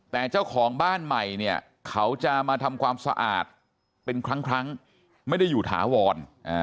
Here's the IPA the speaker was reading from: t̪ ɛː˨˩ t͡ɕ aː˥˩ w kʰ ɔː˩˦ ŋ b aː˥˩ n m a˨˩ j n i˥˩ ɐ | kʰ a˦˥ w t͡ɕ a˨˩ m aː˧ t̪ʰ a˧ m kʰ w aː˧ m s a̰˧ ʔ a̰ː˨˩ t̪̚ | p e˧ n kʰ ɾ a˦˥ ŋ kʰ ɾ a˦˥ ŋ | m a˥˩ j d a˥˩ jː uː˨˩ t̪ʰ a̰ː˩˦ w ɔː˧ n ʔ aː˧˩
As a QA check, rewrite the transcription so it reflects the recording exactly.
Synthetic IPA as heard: t̪ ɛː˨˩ t͡ɕ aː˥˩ w kʰ ɔː˩˦ ŋ b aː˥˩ n m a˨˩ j n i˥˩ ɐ | kʰ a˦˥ w t͡ɕ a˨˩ m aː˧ t̪ʰ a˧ m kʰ w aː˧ m s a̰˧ ʔ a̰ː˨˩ t̪̚ | p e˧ n kʰ ɾ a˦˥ ŋ kʰ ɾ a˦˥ ŋ | m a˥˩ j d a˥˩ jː uː˨˩ t̪ʰ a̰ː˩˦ w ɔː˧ n ʔ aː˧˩